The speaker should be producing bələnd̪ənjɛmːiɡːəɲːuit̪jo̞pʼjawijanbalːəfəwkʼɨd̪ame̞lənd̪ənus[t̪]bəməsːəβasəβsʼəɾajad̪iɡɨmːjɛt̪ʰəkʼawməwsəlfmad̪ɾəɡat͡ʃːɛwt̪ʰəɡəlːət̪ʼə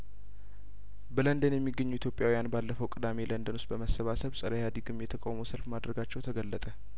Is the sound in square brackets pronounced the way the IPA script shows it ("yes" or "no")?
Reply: yes